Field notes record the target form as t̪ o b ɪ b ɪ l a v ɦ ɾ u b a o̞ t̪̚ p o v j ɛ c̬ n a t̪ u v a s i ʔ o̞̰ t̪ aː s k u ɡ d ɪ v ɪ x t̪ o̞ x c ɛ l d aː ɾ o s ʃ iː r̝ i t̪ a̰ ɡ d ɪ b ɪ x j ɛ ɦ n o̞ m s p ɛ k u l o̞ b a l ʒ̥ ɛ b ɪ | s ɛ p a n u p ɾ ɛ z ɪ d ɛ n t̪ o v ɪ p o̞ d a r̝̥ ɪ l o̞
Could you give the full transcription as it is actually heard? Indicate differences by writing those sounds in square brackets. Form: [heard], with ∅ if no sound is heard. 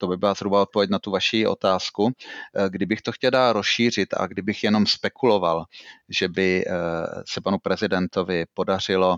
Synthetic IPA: t̪ o b ɪ b ɪ l a [z] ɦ ɾ u b a o̞ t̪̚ p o v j ɛ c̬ n a t̪ u v a [ʃ] i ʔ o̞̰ t̪ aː s k u ɡ d ɪ [b] ɪ x t̪ o̞ x c ɛ l d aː ɾ o s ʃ iː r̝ [ɪ] t̪ a̰ ɡ d ɪ b ɪ x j ɛ [∅] n o̞ m s p ɛ k u l o̞ [v] a l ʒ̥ ɛ b ɪ | s ɛ p a n u p ɾ ɛ z ɪ d ɛ n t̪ o v ɪ p o̞ d a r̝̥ ɪ l o̞